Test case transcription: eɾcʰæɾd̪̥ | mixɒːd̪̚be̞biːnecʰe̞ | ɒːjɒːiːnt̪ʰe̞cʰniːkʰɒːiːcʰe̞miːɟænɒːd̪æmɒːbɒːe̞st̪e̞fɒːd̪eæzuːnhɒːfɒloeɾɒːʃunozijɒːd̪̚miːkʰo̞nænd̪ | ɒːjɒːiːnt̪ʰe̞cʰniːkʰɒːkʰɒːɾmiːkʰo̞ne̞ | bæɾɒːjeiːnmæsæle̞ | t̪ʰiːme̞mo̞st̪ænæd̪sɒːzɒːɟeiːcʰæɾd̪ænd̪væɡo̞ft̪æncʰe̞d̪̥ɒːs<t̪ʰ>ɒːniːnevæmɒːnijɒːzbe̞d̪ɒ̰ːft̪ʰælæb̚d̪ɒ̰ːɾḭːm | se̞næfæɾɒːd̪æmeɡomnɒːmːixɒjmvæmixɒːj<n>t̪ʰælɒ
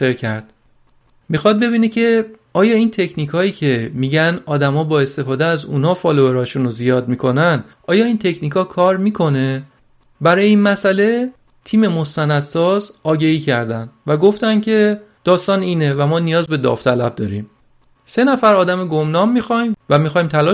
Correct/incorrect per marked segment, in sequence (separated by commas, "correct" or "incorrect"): incorrect, incorrect